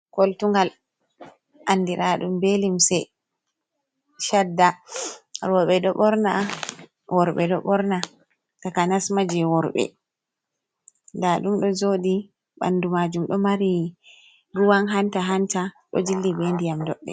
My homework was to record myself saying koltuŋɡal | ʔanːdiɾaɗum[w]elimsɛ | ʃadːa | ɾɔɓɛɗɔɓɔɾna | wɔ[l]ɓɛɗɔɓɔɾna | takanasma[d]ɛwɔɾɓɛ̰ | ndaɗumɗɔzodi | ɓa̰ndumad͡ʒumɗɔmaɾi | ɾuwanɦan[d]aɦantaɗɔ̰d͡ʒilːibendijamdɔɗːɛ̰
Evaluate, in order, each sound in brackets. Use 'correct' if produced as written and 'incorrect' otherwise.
incorrect, incorrect, incorrect, incorrect

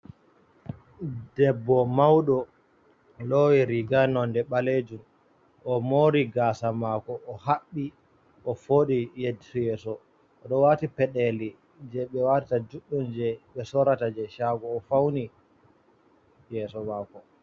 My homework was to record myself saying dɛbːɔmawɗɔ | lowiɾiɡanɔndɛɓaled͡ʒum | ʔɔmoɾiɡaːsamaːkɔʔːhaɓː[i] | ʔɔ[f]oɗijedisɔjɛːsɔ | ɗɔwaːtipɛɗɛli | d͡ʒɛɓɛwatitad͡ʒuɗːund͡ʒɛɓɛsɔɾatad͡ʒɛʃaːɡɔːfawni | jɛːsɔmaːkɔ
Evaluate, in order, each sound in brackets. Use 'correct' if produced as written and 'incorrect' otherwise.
correct, correct

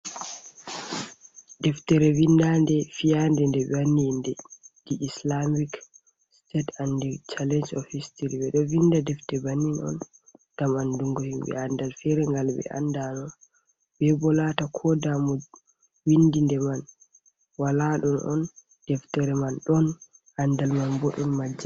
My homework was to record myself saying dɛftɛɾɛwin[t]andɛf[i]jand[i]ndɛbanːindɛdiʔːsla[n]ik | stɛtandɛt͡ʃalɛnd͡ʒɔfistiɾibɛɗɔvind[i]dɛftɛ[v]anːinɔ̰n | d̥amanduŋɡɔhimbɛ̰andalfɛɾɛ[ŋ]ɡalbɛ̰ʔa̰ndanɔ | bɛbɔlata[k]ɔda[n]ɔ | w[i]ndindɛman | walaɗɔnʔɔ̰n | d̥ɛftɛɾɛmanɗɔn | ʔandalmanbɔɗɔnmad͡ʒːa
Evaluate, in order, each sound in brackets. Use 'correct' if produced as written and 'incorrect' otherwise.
incorrect, correct, incorrect, incorrect, incorrect, incorrect, correct, incorrect, incorrect, correct

